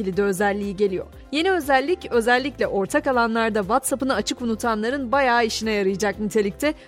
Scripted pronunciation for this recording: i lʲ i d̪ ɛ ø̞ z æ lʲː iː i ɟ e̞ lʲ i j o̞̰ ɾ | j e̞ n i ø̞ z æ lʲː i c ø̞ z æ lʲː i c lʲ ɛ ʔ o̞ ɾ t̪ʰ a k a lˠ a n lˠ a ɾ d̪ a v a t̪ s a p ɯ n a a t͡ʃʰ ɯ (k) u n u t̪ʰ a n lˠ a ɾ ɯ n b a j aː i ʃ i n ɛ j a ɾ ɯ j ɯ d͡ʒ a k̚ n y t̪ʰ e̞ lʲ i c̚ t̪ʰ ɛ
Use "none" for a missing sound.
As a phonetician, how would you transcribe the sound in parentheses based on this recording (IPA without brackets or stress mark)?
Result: k